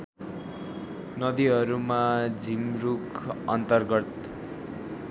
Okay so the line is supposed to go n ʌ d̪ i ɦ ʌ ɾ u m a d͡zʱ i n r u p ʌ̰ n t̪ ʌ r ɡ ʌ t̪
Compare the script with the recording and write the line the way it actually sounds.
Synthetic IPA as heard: n ʌ d̪ i ɦ ʌ ɾ u m a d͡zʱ i m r u k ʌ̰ n t̪ ʌ r ɡ ʌ t̪

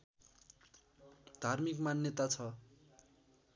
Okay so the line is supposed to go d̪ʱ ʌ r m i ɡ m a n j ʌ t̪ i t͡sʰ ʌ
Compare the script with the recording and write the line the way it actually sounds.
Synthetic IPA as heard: d̪ʱ a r m i k m a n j ʌ t̪ a t͡sʰ ʌ

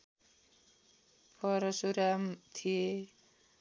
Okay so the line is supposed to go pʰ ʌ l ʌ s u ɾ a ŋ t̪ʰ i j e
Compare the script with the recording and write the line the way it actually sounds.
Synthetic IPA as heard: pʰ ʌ ɾ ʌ s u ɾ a m t̪ʰ i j e

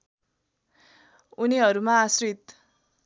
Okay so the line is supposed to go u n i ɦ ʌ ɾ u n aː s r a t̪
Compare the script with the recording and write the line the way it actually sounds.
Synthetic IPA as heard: u n i ɦ ʌ ɾ u m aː s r i t̪

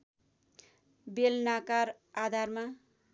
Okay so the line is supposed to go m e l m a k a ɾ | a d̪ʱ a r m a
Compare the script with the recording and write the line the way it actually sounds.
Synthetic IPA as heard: b e l n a k a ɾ | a d̪ʱ a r m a

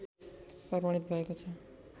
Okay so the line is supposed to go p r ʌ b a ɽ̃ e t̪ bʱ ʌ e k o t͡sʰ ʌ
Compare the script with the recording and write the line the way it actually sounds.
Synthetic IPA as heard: p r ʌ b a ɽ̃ i t̪ bʱ ʌ e k o t͡sʰ ʌ

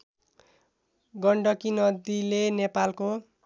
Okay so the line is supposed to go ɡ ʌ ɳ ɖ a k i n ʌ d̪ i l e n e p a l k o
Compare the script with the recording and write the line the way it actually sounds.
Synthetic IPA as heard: ɡ ʌ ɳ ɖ ʌ k i n ʌ d̪ i l e n e p a l k o

